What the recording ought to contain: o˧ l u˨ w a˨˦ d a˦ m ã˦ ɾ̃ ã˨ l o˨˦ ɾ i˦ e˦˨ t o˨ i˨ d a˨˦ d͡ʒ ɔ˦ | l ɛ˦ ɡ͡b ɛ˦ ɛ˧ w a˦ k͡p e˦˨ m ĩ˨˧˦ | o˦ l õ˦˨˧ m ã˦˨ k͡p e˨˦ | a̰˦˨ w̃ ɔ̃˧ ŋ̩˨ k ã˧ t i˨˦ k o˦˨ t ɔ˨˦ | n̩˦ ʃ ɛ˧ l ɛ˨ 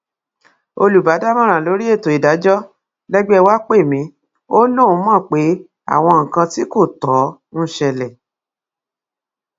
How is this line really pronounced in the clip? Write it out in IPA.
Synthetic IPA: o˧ l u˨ b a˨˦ d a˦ m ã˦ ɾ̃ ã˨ l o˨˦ ɾ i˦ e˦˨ t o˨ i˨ d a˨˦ d͡ʒ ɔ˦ | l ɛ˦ ɡ͡b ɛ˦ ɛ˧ w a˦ k͡p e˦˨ m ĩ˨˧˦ | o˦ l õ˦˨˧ m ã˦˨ k͡p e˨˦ | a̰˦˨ w̃ ɔ̃˧ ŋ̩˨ k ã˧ t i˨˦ k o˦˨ t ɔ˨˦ | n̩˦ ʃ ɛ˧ l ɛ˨